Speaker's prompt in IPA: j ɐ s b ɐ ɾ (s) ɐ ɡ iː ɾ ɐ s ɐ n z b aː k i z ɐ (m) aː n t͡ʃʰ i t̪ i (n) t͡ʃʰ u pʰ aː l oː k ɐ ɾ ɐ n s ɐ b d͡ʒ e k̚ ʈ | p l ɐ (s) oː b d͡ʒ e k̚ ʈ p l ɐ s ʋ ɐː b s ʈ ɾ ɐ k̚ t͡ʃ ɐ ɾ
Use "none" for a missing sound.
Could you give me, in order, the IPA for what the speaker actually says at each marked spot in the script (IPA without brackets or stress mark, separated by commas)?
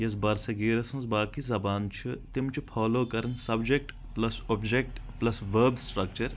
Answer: s, b, m, s